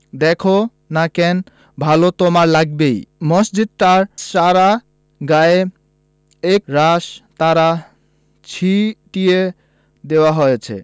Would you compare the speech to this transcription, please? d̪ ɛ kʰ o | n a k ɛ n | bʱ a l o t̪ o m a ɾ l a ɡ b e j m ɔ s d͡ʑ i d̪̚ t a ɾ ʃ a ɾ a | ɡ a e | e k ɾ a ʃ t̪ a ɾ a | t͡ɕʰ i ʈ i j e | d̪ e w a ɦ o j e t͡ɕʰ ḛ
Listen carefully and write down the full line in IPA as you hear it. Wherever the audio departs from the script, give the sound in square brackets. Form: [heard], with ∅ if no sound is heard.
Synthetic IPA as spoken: d̪ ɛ kʰ o | n a k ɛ n | bʱ a l o t̪ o m a ɾ l a ɡ b e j m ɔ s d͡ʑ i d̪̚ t a ɾ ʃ a ɾ a | ɡ a e | e k ɾ a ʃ t̪ a ɾ a | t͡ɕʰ i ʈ i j e | d̪ e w a ɦ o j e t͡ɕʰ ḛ